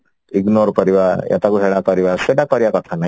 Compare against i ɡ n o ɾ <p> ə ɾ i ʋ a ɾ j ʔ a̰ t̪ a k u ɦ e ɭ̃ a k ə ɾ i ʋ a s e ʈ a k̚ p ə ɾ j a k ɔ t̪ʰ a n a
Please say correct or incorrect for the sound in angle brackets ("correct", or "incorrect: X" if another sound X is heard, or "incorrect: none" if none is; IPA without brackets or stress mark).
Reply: correct